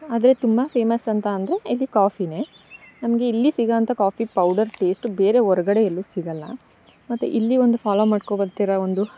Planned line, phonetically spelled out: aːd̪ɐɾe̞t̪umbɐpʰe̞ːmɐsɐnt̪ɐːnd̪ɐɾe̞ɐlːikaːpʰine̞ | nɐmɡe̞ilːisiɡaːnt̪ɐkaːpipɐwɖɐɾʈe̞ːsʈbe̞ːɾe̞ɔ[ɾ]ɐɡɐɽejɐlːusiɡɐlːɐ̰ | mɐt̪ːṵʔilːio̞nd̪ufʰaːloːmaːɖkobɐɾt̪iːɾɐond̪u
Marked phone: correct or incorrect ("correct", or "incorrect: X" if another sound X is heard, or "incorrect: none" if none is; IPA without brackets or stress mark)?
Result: correct